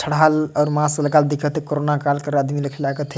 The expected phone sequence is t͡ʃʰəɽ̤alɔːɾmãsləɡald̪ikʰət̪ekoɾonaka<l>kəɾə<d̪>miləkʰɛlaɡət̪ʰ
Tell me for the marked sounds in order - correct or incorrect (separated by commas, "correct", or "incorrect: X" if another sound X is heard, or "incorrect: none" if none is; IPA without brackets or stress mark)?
correct, correct